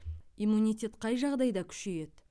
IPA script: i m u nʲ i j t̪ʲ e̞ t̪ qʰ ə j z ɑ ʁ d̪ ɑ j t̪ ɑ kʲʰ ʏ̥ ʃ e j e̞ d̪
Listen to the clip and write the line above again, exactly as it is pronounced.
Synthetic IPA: i m u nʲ i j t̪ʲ e̞ t̪ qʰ ɑ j ʒ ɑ ʁ d̪ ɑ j d̪ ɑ kʲʰ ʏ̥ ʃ e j e̞ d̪